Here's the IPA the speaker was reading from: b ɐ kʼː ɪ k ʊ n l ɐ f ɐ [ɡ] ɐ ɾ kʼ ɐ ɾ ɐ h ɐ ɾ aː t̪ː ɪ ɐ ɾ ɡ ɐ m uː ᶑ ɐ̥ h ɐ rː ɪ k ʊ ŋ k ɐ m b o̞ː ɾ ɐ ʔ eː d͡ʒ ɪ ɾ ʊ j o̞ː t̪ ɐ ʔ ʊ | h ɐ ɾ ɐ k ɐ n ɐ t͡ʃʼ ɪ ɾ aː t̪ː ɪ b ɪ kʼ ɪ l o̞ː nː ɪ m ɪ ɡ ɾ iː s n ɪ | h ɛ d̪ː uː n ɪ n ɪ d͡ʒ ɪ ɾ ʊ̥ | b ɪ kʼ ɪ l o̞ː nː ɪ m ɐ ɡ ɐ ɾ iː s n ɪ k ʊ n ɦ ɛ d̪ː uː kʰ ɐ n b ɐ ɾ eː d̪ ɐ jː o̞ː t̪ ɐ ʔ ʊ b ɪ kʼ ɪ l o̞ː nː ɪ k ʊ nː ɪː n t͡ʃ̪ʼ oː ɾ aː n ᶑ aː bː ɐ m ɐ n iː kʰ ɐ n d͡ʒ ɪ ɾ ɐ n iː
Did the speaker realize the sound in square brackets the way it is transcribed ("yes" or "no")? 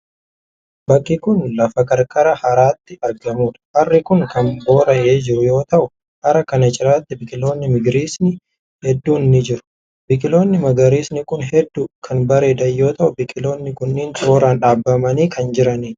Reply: no